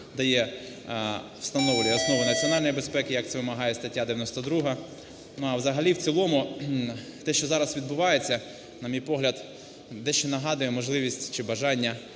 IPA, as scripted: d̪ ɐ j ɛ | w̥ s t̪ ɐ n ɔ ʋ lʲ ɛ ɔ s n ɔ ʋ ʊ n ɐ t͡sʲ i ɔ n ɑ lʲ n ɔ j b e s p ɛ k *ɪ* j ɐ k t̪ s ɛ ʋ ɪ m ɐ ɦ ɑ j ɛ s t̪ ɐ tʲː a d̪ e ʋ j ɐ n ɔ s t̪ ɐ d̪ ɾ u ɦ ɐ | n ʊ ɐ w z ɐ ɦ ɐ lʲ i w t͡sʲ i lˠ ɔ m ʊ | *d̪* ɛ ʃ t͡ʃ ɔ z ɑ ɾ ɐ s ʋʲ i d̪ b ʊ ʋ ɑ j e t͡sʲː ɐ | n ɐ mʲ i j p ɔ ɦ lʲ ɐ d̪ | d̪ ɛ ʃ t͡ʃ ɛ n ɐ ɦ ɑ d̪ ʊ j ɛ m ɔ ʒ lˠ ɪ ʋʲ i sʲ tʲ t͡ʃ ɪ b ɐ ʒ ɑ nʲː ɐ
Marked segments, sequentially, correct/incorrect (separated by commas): correct, incorrect